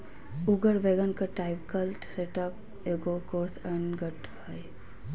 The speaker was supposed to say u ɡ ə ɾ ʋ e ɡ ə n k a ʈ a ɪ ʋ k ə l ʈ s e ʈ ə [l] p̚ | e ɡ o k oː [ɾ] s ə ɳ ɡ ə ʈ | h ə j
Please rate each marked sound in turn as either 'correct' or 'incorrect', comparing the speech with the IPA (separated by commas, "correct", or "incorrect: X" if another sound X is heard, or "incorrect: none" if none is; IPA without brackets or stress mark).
incorrect: none, correct